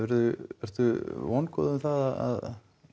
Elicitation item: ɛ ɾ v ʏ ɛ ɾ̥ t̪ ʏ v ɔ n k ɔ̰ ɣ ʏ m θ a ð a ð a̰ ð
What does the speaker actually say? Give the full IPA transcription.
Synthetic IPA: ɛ ɾ ð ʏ ɛ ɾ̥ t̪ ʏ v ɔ n k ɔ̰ ð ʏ m θ a ð a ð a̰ ð

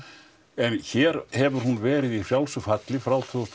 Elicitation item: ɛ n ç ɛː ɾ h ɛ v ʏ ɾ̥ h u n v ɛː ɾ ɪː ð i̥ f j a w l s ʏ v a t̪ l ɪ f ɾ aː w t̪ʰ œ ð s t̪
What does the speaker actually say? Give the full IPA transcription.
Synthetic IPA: ɛ n ç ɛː ɾ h ɛ v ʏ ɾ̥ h u n v ɛː ɾ ɪ ð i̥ f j a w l s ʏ f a t̪ l ɪ f ɾ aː w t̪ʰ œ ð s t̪

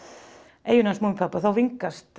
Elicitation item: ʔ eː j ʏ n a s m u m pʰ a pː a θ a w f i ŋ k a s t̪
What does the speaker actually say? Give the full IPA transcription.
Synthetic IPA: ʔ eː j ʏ n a s m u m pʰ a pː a θ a w v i ŋ k a s t̪

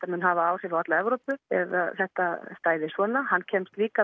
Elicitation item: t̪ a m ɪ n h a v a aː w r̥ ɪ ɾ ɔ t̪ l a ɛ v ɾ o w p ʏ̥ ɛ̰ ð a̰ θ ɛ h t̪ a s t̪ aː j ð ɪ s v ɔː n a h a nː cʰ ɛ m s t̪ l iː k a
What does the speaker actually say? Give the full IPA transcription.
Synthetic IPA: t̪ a m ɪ n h a v a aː w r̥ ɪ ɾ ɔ t̪ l a ɛ v ɾ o w p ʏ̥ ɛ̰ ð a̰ θ ɛ h t̪ a s t̪ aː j ð ɪ s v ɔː n a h a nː cʰ ɛ m s t̪ l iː k a

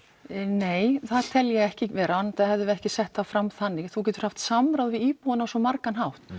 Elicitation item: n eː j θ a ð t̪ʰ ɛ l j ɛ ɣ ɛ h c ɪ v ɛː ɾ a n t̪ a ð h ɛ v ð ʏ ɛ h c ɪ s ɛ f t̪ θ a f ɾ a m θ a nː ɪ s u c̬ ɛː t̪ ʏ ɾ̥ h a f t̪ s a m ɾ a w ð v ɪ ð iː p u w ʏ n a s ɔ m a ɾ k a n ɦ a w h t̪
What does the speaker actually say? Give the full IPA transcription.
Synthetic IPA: n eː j θ a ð t̪ʰ ɛ l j ɛ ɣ ɛ h c ɪ v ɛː ɾ a n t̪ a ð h ɛ v ð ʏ ɛ h c ɪ s ɛ h t̪ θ a f ɾ a m θ a nː ɪ θ u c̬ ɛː t̪ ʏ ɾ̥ h a f t̪ s a m ɾ a w ð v ɪ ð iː p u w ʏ n a s ɔ m a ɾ k a n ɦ a w h t̪

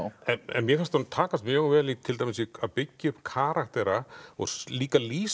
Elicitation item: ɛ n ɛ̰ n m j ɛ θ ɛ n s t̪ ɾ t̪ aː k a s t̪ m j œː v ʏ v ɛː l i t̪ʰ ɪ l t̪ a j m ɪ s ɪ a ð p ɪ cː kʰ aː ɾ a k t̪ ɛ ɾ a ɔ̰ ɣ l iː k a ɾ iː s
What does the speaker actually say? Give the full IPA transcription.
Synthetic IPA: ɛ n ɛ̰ n m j ɛ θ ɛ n s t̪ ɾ t̪ʰ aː k a s t̪ m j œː ɣ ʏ v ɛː l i t̪ʰ ɪ l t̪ a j m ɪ s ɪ a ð p ɪ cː kʰ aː ɾ a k t̪ ɛ ɾ a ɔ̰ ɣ l iː k a l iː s

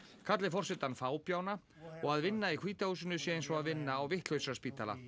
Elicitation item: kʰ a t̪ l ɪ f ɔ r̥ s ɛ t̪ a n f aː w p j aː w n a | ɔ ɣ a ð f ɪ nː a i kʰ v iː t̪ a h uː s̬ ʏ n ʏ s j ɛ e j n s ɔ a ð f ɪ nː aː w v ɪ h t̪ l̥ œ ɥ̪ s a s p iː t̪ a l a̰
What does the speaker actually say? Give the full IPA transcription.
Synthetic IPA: kʰ a t̪ l ɪ f ɔ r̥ s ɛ t̪ a n f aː w p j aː w n a | ɔ ɣ a ð v ɪ nː a i kʰ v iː t̪ a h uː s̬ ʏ n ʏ s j ɛ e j n s ɔ a ð v ɪ nː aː w v ɪ h t̪ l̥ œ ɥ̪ s a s p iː t̪ a l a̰

